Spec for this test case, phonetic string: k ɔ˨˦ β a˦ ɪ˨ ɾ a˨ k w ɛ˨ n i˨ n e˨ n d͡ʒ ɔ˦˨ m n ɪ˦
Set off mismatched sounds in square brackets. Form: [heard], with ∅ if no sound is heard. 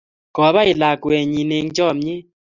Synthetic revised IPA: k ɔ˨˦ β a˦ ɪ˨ [l] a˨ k w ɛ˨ [ɲ] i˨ n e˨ [ŋ] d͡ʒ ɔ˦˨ m [ɲ] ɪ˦